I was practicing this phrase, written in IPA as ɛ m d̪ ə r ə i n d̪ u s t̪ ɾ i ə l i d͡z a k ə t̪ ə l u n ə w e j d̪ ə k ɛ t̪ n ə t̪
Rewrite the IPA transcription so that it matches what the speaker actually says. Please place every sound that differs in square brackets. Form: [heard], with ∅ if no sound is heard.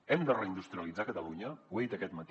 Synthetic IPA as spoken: ɛ m d̪ ə r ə i n d̪ u s t̪ ɾ i ə l i d͡z a k ə t̪ ə l u [ɲ] ə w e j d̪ ə k ɛ t̪ [m] ə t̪